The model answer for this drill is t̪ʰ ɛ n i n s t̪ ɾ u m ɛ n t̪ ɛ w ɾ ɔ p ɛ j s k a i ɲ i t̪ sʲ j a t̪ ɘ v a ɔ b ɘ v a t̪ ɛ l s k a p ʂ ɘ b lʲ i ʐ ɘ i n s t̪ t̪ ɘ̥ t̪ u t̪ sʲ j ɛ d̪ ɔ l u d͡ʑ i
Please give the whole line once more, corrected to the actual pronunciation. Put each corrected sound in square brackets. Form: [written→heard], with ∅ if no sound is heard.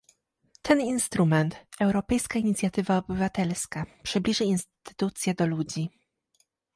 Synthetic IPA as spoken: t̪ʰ ɛ n i n s t̪ ɾ u m ɛ n t̪ ɛ w ɾ ɔ p ɛ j s k a i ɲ i t̪ sʲ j a t̪ ɘ v a ɔ b ɘ v a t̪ ɛ l s k a p ʂ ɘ b lʲ i ʐ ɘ i n s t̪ t̪ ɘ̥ t̪ u t̪ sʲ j ɛ d̪ ɔ l u d͡ʑ i